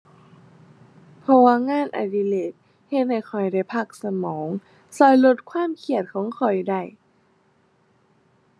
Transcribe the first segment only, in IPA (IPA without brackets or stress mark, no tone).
pʰ